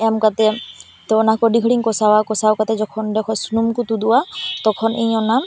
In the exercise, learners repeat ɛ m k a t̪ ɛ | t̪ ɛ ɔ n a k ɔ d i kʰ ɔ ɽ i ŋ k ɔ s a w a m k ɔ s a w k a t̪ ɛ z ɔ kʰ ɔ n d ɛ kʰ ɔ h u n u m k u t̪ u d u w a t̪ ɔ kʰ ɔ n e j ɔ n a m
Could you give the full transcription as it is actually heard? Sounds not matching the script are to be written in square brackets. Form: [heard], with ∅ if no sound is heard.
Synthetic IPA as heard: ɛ m k a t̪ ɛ | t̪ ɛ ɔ n a k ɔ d i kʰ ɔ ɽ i ŋ k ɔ s a w a [∅] k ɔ s a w k a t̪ ɛ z ɔ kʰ ɔ n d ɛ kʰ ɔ [s] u n u m k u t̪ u d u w a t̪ ɔ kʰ ɔ n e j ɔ n a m